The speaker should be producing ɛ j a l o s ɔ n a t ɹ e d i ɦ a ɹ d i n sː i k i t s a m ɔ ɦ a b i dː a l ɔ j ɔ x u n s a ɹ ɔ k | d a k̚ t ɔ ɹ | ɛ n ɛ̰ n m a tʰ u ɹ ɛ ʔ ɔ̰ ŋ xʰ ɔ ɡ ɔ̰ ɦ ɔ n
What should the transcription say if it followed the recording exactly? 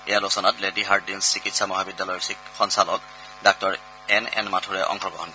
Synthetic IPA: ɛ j a l o s ɔ n a t l e d i ɦ a ɹ d i n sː i k i t s a m ɔ ɦ a b i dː a l ɔ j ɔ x ɔ n s a l ɔ k | d a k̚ t ɔ ɹ | ɛ n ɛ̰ n m a tʰ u ɹ ɛ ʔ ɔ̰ ŋ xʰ ɔ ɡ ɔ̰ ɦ ɔ n